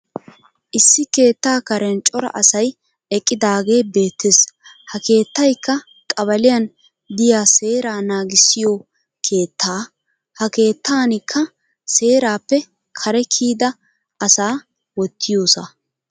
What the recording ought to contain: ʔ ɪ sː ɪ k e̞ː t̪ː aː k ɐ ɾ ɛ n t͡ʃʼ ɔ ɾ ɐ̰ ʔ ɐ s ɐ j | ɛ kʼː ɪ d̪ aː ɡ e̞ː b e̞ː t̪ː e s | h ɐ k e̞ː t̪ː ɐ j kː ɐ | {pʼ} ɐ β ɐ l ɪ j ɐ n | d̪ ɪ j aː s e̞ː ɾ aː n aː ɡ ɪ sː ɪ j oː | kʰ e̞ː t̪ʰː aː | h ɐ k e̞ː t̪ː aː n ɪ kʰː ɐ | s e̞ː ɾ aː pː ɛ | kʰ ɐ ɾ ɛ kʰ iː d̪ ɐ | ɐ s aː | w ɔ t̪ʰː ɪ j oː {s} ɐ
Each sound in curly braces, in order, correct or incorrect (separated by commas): incorrect, correct